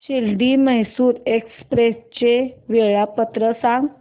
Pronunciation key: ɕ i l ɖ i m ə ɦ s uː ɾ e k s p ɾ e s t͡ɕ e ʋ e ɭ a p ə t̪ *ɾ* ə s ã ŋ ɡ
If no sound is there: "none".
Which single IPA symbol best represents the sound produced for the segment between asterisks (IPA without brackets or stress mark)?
ɾ